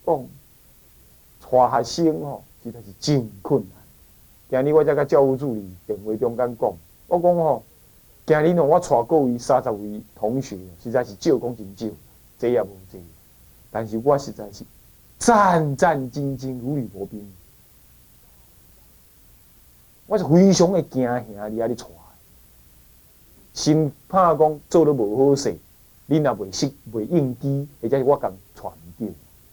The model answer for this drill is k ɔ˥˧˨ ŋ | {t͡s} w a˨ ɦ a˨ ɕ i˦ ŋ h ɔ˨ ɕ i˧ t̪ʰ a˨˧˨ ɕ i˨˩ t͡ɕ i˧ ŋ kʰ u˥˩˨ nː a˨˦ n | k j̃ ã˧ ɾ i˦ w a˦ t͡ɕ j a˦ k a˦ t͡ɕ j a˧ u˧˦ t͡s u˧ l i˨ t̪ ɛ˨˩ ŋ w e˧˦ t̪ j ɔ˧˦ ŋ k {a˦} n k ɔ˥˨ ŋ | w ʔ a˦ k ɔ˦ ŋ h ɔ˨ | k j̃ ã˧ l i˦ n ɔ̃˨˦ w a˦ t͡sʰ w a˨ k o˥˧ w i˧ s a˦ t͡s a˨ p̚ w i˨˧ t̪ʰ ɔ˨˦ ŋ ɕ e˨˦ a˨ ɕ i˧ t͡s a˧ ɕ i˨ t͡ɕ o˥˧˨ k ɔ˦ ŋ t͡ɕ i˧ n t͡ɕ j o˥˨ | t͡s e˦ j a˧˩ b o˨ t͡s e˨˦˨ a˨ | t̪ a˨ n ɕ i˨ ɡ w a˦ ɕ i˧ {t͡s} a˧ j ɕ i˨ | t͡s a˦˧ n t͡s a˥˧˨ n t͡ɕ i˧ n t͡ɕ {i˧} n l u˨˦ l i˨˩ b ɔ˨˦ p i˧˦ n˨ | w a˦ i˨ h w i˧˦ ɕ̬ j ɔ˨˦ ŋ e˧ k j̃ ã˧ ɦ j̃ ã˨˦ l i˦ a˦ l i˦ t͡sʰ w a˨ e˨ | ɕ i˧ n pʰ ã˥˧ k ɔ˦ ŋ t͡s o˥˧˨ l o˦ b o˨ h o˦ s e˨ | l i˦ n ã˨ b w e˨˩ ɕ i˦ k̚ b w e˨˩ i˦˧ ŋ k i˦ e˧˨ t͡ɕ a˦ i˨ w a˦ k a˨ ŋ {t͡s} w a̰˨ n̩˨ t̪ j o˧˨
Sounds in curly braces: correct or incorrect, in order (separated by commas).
incorrect, correct, correct, correct, incorrect